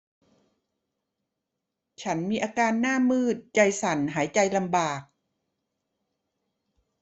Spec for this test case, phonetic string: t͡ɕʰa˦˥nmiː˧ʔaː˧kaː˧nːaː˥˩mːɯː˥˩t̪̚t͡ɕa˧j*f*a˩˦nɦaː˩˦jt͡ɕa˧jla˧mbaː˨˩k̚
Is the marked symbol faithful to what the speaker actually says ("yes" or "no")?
no